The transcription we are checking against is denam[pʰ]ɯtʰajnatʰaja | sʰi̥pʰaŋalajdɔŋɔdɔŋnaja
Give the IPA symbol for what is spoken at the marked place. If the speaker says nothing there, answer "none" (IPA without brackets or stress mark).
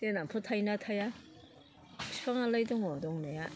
pʰ